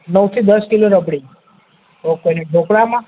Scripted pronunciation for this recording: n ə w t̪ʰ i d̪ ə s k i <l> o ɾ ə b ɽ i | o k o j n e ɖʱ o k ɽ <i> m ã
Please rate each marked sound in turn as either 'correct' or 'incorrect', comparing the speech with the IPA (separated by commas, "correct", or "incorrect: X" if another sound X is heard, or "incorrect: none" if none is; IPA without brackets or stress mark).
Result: correct, incorrect: a